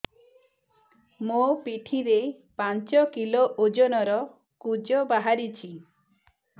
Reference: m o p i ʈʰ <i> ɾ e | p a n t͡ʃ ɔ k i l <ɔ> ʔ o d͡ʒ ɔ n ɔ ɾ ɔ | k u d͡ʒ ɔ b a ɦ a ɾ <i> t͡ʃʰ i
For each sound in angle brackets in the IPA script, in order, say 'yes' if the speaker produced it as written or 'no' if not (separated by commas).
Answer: yes, no, yes